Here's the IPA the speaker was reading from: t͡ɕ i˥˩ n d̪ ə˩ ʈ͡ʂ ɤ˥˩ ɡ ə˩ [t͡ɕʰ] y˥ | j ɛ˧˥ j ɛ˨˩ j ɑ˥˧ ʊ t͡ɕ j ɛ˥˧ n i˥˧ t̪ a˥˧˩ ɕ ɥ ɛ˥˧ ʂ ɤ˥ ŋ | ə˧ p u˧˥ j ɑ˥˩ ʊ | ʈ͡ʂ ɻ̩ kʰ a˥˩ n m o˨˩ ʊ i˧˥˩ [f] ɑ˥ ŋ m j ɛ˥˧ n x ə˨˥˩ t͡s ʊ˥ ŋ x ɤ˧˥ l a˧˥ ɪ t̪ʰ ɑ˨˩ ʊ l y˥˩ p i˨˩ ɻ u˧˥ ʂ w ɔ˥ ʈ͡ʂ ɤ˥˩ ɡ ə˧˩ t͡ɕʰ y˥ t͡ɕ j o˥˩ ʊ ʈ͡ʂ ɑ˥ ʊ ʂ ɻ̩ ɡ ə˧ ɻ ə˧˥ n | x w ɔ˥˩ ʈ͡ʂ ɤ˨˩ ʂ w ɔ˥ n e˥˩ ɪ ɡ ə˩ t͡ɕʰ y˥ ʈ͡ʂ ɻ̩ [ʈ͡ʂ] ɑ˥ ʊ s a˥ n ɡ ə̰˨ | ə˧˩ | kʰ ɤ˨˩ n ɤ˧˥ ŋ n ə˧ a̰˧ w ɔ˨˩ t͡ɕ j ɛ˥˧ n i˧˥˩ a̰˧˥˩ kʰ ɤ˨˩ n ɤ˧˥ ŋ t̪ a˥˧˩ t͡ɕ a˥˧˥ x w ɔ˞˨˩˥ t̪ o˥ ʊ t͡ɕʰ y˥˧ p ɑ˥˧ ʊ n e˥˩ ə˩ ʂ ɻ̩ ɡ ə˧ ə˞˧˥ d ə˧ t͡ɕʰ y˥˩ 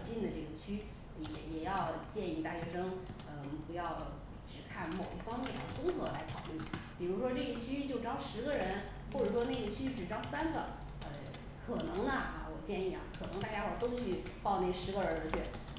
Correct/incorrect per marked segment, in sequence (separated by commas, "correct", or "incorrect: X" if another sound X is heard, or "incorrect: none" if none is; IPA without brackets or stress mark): correct, correct, correct